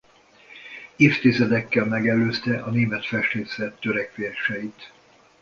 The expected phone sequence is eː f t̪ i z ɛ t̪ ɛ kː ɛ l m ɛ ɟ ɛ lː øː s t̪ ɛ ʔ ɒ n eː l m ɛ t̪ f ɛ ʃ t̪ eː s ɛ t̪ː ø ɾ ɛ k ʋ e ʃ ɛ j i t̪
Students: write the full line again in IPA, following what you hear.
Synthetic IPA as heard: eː f t̪ i z ɛ d̪ ɛ kː ɛ l m ɛ ɡ ɛ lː øː s t̪ ɛ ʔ ɒ n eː m ɛ t̪ f ɛ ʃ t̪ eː s ɛ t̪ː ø ɾ ɛ k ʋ e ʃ ɛ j i t̪